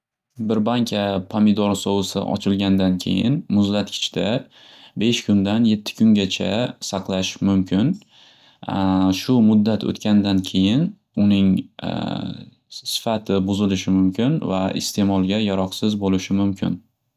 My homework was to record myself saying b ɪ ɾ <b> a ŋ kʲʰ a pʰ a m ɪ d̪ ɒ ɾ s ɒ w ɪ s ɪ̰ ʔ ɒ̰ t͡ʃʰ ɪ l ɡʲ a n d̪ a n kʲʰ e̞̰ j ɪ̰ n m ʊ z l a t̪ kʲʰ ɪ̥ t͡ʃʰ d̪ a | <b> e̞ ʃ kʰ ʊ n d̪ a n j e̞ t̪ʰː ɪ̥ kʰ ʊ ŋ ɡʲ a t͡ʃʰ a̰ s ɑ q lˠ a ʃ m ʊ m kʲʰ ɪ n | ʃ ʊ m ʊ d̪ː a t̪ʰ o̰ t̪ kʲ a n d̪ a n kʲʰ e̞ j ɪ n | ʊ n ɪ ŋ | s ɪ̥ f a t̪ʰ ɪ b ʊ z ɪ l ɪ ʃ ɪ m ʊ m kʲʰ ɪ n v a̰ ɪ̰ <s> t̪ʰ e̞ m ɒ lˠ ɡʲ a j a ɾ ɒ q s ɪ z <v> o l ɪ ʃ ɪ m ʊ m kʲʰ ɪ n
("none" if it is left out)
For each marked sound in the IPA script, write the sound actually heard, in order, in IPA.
b, b, s, b

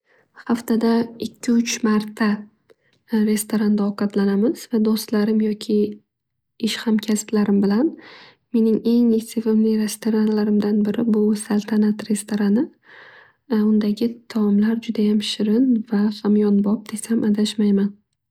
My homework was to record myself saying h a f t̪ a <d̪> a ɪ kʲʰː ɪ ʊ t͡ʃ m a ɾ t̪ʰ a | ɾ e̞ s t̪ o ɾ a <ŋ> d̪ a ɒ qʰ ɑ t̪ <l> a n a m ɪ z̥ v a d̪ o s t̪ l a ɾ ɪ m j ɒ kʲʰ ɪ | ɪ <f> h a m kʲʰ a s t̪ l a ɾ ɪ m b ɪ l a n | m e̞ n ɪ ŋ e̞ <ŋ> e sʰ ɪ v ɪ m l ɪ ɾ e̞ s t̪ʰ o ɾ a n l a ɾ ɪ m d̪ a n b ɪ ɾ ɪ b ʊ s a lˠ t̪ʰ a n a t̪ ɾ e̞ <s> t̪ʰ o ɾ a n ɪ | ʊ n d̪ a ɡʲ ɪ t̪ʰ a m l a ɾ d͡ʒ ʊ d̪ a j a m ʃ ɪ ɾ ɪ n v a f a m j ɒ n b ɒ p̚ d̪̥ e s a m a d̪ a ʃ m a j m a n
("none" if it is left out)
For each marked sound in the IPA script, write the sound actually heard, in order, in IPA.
d̪, n, l, ʃ, ŋ, s

